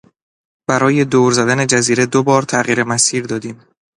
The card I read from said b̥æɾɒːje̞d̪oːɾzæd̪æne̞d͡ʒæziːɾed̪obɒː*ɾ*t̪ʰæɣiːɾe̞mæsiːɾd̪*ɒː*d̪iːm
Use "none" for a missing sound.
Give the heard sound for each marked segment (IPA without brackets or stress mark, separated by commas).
ɾ, ɒː